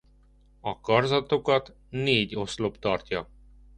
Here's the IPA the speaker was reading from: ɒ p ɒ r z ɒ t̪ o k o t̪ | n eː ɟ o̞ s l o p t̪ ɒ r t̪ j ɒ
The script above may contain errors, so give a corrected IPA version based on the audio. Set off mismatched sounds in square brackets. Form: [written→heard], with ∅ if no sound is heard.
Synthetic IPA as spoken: ɒ [p→k] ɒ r z ɒ t̪ o k [o→ɒ] t̪ | n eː ɟ o̞ s l o p t̪ ɒ r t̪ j ɒ